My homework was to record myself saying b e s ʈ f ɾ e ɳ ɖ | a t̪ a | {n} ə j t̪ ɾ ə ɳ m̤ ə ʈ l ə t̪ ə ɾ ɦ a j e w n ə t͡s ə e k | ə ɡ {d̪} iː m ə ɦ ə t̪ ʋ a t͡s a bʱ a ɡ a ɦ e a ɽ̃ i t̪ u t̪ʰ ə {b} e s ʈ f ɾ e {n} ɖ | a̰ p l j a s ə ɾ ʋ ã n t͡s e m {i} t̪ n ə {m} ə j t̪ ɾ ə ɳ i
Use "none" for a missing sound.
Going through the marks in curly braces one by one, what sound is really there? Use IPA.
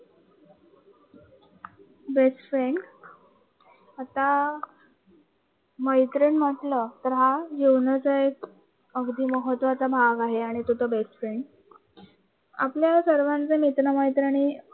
m, d̪, b, ɳ, i, m

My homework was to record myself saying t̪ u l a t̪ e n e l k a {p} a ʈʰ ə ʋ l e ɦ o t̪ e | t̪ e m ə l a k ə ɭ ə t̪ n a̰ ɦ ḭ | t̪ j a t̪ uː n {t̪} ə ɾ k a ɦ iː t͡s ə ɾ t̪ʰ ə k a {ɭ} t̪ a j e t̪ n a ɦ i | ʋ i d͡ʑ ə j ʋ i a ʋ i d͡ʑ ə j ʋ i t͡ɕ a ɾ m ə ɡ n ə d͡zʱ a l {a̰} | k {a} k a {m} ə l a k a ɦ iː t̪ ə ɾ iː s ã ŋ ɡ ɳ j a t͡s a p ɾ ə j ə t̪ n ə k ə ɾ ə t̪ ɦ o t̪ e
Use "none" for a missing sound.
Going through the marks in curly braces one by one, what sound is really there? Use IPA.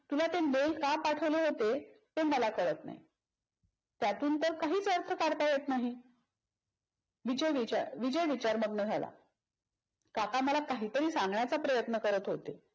p, t̪, ɽ, a̰, a, m

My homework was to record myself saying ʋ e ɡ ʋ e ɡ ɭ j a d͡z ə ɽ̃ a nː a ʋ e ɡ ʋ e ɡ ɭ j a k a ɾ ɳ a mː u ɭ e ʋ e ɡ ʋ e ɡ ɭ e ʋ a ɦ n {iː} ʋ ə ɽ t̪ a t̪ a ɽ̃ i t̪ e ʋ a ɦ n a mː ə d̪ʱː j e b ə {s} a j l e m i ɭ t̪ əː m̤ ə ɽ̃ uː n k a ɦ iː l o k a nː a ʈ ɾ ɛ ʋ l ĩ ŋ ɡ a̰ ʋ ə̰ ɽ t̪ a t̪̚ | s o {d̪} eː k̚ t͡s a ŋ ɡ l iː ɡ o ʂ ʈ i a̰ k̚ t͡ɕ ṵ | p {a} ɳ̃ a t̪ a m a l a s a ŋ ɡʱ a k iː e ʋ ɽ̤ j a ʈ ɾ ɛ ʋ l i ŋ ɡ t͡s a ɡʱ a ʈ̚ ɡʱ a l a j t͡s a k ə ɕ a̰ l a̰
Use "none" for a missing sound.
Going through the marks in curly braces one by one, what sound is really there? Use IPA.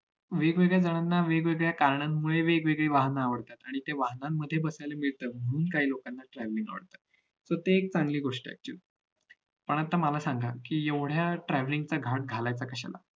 aː, s, t̪, ə

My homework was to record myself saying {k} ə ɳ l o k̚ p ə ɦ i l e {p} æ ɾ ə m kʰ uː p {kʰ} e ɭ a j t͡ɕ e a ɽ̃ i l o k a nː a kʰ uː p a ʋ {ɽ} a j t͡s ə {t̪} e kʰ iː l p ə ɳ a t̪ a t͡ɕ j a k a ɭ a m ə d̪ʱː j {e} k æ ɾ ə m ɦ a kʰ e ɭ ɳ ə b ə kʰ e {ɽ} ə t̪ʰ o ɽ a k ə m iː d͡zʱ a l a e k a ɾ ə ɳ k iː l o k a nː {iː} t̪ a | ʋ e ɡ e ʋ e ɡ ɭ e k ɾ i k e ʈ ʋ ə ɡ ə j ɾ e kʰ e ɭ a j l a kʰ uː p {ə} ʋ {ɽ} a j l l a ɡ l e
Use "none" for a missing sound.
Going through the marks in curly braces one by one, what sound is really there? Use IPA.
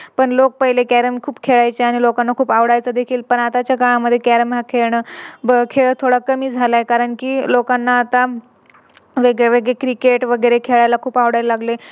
p, k, kʰ, ɽ, d̪, e, ɭ, aː, a, ɽ

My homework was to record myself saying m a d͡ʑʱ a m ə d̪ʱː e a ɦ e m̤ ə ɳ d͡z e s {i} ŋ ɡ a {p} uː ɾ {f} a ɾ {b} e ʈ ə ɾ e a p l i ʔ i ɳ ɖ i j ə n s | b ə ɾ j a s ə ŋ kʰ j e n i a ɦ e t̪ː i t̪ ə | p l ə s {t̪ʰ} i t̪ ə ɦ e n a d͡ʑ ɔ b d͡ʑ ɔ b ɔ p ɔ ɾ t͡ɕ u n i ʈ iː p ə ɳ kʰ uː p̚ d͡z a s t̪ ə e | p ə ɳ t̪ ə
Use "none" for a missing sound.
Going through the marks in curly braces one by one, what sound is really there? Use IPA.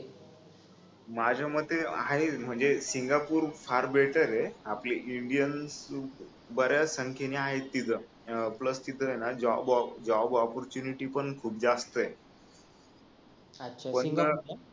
i, p, f, b, t̪

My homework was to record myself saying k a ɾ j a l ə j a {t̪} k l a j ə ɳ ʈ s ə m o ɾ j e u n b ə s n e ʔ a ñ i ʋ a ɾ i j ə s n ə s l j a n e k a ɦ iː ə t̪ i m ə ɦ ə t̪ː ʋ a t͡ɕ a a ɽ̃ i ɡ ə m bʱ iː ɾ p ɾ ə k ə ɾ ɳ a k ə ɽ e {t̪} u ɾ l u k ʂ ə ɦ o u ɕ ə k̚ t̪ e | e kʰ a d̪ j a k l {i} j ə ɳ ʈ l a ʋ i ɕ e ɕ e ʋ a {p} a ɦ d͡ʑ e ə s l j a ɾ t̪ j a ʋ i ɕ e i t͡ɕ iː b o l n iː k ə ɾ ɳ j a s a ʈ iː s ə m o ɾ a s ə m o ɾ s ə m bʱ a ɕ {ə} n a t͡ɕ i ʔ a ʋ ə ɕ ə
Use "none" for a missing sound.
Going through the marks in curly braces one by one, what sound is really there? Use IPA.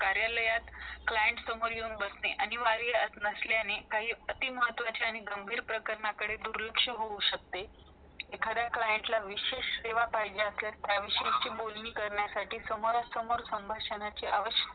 t̪, d̪, a, p, ə

